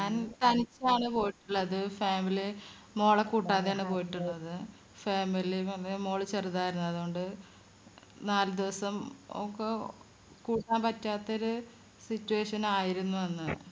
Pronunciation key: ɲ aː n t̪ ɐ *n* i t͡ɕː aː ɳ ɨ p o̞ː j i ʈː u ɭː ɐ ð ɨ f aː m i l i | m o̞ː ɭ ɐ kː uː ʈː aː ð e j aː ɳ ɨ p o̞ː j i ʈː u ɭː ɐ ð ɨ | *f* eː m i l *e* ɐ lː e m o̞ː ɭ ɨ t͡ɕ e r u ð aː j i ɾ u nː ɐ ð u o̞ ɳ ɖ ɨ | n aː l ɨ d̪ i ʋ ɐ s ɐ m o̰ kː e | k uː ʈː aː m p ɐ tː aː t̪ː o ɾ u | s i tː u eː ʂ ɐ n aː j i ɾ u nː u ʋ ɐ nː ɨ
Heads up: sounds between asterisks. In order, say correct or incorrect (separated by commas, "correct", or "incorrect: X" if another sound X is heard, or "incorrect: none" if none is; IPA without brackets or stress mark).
correct, correct, incorrect: i